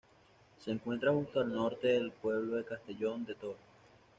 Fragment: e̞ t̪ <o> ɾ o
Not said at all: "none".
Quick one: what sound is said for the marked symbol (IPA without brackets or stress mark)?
o